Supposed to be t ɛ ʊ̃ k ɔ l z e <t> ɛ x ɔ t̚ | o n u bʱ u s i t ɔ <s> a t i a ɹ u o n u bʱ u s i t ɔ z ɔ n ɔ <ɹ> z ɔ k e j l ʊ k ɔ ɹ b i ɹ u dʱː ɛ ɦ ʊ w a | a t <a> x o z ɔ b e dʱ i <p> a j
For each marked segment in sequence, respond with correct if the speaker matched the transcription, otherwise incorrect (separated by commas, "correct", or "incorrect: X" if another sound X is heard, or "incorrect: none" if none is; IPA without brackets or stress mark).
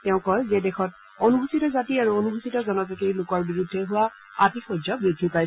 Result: incorrect: d, incorrect: z, incorrect: none, incorrect: i, correct